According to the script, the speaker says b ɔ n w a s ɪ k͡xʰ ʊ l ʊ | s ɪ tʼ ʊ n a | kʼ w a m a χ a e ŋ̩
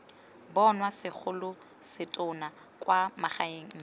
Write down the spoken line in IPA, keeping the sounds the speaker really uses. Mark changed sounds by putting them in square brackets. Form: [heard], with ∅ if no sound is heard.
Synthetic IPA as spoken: b ɔ n w a s ɪ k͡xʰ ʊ l ʊ | s ɪ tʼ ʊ n a | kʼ w a m a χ a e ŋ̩